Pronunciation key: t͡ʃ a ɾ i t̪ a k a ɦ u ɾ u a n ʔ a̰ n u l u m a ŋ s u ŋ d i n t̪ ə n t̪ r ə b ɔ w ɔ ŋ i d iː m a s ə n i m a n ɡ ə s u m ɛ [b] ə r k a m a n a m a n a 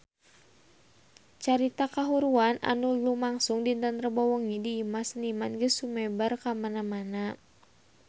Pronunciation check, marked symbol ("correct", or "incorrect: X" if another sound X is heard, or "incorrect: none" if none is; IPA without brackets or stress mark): correct